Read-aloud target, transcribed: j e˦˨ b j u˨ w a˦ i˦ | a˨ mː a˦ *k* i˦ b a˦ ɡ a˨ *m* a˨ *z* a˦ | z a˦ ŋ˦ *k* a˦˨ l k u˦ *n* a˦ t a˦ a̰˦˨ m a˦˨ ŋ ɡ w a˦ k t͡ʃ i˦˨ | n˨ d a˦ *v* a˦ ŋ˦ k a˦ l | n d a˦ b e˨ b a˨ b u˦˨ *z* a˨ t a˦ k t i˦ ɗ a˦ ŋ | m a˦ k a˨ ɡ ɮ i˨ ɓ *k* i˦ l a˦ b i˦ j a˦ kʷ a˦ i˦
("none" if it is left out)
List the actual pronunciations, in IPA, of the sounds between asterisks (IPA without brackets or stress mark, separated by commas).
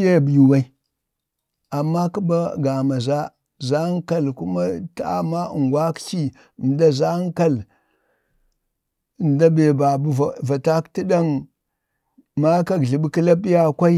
k, m, z, k, m, z, v, k